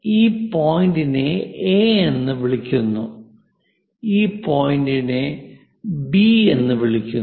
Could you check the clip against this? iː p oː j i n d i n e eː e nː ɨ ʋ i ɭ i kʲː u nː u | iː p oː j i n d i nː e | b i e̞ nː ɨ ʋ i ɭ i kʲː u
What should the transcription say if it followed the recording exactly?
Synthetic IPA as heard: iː p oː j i n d i n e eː e nː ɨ ʋ i ɭ i kʲː u nː u | iː p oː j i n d i n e | b i e̞ nː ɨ ʋ i ɭ i kʲː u